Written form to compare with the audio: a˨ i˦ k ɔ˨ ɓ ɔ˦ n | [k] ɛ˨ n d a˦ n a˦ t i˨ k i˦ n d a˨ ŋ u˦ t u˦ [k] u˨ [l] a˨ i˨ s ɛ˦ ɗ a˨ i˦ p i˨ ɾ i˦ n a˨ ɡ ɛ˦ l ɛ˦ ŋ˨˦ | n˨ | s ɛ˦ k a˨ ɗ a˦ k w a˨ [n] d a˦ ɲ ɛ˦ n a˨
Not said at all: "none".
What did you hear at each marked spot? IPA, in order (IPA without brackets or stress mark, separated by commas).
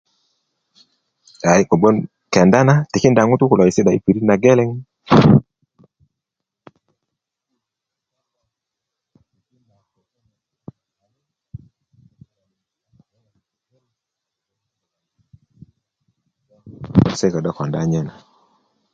k, k, l, n